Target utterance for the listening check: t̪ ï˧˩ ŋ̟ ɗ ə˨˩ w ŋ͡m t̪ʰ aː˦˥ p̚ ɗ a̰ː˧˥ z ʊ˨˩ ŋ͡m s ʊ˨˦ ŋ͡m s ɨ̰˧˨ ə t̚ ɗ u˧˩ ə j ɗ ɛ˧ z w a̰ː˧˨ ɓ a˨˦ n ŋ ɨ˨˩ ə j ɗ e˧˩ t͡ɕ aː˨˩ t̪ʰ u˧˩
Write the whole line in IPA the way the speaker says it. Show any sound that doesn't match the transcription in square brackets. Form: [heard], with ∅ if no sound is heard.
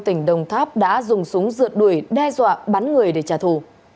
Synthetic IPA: t̪ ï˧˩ ŋ̟ ɗ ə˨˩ w ŋ͡m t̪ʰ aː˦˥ p̚ ɗ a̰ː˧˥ z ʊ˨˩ ŋ͡m s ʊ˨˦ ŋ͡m [z] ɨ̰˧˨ ə t̚ ɗ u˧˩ ə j ɗ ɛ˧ z w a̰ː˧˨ ɓ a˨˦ n ŋ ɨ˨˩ ə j ɗ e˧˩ t͡ɕ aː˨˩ t̪ʰ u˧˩